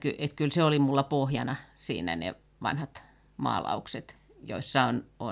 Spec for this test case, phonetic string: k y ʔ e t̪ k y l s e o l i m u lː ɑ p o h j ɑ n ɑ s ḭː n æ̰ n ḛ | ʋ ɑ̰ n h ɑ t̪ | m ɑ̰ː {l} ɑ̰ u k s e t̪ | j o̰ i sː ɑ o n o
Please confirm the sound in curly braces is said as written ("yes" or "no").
yes